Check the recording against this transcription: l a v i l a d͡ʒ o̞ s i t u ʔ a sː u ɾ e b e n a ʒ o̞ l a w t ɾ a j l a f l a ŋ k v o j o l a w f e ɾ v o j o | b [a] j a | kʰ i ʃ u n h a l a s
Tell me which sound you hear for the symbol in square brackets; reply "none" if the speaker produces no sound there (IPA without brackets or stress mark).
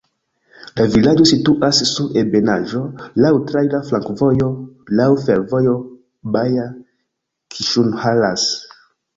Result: a